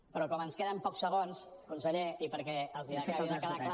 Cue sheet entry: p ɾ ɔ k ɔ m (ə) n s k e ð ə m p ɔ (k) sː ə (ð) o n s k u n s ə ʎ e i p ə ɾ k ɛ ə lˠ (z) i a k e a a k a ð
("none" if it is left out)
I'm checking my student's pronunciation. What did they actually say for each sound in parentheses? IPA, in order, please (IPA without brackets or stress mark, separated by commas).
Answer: ə, k, ɣ, z